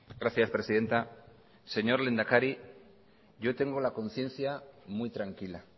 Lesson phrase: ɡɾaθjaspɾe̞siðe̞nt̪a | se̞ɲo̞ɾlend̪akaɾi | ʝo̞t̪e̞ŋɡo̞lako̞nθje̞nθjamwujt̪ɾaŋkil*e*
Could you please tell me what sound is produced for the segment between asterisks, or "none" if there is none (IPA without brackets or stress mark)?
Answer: a